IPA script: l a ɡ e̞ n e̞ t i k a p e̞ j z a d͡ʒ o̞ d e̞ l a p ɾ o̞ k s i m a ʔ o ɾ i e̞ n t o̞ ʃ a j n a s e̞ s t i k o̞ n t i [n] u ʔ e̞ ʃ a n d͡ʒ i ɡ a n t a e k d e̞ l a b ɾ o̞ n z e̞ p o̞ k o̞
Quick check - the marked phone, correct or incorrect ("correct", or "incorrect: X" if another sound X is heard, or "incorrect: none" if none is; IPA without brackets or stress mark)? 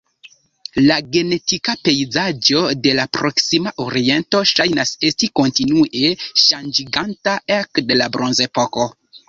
correct